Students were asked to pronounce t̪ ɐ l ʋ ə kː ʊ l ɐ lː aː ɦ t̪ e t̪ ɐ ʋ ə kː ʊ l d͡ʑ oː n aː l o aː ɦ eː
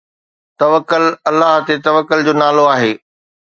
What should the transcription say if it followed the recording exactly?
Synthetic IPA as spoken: t̪ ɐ ʋ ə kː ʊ l ɐ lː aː ɦ t̪ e t̪ ɐ ʋ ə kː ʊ l d͡ʑ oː n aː l o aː ɦ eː